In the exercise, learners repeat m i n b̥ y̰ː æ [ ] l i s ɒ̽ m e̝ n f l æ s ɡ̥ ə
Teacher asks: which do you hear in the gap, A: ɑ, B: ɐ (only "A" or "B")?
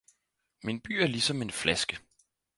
B